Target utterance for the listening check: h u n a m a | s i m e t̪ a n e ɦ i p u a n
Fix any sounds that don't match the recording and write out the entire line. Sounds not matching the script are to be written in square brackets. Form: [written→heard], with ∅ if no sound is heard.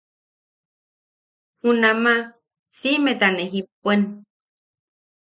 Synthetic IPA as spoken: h u n a m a | s i m e t̪ a n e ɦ i p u [a→e] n